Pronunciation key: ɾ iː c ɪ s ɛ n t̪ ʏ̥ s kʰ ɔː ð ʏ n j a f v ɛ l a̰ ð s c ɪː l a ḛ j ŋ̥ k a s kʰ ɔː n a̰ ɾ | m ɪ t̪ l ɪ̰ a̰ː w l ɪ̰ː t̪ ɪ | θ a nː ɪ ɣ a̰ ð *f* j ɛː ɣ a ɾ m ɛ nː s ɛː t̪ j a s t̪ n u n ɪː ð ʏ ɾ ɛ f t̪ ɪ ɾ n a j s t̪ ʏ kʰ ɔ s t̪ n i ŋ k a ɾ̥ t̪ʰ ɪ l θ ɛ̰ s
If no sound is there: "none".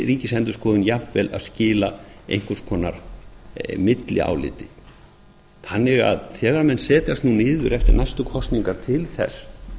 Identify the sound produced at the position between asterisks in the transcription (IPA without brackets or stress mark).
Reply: θ